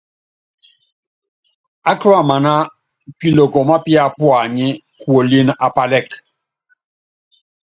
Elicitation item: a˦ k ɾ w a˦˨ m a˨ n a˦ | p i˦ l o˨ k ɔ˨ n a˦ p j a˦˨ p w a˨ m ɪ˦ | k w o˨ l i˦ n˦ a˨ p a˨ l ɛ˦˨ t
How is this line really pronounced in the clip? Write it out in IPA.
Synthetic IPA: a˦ k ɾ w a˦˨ m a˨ n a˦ | p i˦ l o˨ k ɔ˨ m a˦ p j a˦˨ p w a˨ ɲ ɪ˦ | k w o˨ l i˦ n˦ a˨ p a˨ l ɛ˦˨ k